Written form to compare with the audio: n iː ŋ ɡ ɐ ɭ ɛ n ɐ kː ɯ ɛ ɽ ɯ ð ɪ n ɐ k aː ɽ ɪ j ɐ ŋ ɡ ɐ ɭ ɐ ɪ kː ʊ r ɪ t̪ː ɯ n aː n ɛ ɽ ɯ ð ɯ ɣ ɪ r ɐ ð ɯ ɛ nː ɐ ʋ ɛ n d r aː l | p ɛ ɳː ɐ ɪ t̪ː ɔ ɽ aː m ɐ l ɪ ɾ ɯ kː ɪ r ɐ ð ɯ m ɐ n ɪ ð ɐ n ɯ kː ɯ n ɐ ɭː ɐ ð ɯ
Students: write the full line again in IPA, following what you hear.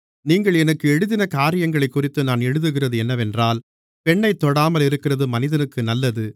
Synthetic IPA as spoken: n iː ŋ ɡ ɐ ɭ ɛ n ɐ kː ɯ ɛ ɽ ɯ ð ɪ n ɐ k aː ɾ ɪ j ɐ ŋ ɡ ɐ ɭ ɐ ɪ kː ʊ r ɪ t̪ː ɯ n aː n ɛ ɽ ɯ ð ɯ ɣ ɪ r ɐ ð ɯ ɛ nː ɐ ʋ ɛ n d r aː l | p ɛ ɳː ɐ ɪ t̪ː ɔ ɽ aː m ɐ l ɪ ɾ ɯ kː ɪ r ɐ ð ɯ m ɐ n ɪ ð ɐ n ɯ kː ɯ n ɐ lː ɐ ð ɯ